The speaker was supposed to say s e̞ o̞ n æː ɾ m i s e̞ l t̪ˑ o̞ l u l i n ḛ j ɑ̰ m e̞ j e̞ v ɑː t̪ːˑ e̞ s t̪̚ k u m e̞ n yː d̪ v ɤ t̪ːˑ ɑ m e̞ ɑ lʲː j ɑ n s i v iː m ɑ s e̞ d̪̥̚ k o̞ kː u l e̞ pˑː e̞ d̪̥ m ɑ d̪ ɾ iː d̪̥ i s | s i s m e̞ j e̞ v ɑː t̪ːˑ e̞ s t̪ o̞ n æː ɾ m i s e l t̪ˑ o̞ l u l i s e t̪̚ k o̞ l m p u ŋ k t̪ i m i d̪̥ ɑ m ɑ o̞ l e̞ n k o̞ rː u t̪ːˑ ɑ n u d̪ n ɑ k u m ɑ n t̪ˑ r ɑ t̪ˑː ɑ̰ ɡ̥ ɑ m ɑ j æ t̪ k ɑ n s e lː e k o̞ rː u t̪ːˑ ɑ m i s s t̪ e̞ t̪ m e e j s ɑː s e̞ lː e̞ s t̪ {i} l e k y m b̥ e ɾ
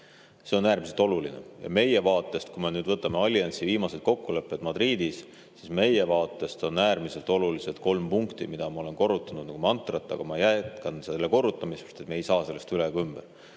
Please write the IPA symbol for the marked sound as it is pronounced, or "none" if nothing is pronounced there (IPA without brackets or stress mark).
y